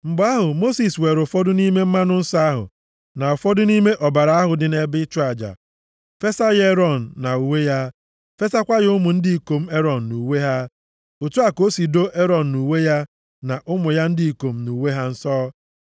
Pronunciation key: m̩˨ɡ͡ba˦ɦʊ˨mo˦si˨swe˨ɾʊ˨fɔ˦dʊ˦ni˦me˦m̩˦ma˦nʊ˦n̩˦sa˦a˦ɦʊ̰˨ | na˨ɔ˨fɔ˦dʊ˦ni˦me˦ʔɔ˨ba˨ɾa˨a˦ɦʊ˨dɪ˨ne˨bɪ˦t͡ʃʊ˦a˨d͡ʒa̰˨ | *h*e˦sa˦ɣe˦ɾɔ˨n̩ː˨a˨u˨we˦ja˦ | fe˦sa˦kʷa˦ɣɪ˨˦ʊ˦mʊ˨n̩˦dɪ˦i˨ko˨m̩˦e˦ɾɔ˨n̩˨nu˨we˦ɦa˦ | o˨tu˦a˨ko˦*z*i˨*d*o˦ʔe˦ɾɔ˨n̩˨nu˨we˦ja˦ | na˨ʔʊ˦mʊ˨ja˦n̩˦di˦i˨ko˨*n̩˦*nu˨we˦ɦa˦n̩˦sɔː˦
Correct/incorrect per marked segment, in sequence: incorrect: f, incorrect: s, correct, incorrect: m̩˦

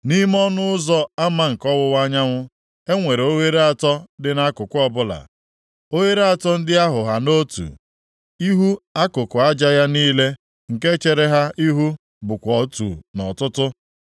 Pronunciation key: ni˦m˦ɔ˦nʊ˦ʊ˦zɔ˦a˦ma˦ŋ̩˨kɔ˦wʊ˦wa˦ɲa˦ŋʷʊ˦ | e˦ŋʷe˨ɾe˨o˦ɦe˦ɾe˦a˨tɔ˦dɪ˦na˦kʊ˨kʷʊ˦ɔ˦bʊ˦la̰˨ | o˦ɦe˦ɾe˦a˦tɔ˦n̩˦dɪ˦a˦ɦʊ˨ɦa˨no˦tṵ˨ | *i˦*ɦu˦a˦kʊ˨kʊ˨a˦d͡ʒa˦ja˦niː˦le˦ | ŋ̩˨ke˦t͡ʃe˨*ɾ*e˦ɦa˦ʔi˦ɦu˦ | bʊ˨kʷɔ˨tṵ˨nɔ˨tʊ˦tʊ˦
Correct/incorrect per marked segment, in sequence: correct, correct

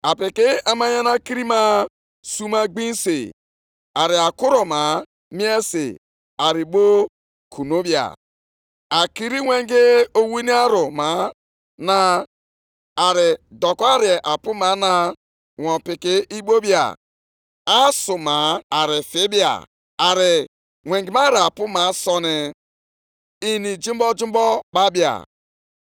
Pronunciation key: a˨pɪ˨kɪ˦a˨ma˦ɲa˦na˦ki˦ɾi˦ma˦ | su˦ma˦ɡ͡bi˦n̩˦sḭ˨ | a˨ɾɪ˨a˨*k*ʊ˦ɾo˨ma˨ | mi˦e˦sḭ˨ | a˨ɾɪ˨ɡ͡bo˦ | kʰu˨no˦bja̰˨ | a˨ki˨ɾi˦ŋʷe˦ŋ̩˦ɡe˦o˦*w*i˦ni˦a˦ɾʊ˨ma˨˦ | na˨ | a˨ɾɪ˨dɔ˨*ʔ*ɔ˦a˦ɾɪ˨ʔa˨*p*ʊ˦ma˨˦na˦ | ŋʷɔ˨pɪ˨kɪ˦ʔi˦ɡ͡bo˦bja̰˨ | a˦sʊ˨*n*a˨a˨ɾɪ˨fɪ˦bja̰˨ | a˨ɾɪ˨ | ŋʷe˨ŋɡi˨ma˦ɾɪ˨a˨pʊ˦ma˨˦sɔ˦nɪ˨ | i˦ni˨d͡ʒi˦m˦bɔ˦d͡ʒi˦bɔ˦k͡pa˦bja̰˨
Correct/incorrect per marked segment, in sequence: correct, correct, incorrect: k, correct, incorrect: m

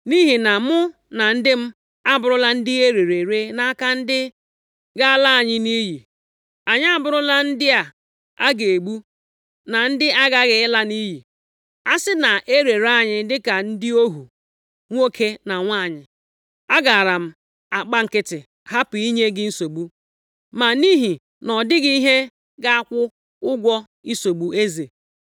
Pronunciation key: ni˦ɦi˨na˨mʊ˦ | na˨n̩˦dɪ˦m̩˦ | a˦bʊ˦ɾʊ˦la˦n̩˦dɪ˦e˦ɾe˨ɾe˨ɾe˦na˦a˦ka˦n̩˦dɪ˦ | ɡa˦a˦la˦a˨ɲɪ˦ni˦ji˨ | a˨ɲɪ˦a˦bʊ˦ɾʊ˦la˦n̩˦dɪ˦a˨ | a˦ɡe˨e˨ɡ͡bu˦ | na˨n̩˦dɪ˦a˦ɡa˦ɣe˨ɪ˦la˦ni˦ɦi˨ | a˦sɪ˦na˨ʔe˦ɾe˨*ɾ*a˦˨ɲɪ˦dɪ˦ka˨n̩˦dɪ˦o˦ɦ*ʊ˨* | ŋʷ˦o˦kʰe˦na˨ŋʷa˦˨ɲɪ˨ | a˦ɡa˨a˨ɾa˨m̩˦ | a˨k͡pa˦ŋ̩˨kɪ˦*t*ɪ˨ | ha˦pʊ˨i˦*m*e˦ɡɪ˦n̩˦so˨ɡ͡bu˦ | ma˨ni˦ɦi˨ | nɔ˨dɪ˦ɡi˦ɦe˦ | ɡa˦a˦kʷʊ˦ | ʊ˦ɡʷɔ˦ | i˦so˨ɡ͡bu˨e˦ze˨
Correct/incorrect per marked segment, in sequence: correct, incorrect: u˨, correct, incorrect: ɲ

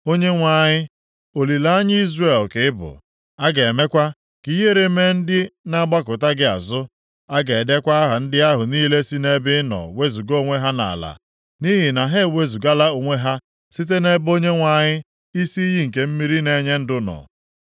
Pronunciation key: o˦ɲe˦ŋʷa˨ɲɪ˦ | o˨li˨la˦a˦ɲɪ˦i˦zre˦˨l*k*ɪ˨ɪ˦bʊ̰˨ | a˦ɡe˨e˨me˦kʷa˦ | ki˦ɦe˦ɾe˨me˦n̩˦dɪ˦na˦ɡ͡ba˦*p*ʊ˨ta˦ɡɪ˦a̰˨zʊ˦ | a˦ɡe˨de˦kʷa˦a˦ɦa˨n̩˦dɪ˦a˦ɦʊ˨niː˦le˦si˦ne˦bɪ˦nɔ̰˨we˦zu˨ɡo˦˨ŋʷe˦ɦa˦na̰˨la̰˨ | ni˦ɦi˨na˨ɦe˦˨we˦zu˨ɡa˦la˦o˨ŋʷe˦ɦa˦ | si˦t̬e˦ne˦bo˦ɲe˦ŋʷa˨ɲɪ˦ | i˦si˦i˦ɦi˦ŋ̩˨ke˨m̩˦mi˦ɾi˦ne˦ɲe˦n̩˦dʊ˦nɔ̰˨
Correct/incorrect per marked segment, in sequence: correct, incorrect: k

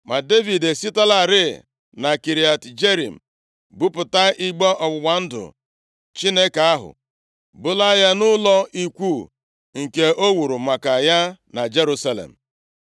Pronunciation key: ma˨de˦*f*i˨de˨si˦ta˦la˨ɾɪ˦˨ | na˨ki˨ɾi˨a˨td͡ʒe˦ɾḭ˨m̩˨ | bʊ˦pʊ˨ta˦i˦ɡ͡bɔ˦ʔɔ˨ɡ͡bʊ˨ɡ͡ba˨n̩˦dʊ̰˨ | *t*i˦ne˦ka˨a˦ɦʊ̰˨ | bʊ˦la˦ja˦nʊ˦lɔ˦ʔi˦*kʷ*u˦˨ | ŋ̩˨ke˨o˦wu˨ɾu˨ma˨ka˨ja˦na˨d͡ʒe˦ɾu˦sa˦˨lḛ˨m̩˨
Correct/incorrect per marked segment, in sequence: incorrect: v, incorrect: t͡ʃ, correct

